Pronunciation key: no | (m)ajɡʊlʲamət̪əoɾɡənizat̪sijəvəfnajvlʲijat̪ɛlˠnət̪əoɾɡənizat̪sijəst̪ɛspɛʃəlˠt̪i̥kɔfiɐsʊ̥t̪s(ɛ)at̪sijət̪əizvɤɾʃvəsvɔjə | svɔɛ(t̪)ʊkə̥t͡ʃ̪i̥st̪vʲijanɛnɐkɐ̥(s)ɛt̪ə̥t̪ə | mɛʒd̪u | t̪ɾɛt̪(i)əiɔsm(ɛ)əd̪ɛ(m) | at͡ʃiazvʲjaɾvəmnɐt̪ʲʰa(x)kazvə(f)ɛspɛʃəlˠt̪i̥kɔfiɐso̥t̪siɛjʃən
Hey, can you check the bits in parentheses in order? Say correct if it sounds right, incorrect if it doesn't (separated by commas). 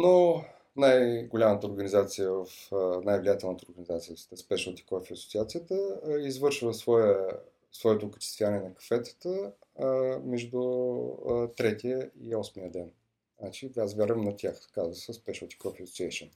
incorrect, incorrect, correct, incorrect, correct, incorrect, incorrect, correct, incorrect